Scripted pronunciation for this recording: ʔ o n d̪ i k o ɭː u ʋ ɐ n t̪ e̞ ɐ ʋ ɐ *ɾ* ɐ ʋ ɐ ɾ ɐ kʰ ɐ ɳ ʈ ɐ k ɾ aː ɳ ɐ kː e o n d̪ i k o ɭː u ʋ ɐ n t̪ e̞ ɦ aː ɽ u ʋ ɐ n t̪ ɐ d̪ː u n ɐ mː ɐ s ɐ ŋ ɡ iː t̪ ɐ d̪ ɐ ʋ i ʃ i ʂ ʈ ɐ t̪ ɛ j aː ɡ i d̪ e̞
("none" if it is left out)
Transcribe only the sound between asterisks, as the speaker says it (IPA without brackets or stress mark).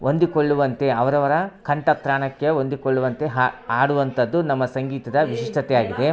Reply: ɾ